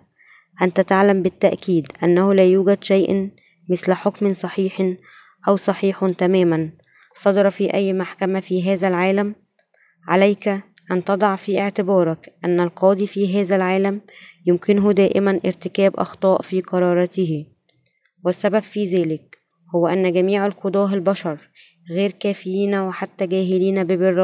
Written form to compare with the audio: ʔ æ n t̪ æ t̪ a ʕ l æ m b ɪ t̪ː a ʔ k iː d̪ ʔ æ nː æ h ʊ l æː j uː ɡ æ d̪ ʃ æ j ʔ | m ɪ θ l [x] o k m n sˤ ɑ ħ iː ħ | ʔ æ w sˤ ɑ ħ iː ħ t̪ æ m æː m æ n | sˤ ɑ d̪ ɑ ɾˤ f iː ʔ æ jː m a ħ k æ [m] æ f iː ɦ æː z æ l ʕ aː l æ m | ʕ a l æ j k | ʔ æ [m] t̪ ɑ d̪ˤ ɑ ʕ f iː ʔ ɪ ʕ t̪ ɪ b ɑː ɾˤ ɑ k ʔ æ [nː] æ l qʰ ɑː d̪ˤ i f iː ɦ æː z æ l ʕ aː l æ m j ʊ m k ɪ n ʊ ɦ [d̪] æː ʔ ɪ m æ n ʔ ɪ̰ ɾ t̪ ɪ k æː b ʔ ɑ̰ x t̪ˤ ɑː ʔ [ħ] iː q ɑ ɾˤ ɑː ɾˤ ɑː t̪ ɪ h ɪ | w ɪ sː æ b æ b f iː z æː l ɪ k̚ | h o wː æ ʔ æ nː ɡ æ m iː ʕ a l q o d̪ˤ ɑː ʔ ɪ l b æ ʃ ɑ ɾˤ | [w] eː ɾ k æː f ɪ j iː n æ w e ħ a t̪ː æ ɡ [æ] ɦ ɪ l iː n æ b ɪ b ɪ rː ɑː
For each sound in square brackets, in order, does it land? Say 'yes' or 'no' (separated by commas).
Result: no, yes, no, yes, yes, no, no, no